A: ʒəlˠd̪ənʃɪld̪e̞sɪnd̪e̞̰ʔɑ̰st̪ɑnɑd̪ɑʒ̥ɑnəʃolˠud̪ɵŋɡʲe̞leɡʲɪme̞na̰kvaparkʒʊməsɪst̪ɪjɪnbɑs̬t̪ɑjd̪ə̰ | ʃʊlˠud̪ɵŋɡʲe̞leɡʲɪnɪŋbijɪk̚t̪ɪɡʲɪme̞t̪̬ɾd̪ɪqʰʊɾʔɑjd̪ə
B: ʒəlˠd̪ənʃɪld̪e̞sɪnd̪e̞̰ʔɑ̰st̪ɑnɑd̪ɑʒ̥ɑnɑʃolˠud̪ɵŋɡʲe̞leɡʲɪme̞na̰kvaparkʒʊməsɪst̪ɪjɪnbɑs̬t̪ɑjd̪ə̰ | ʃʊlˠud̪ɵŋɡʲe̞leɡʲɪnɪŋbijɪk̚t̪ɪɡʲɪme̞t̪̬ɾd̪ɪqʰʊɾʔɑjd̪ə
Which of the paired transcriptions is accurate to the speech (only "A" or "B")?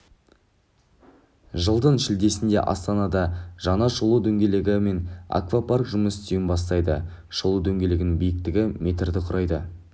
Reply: B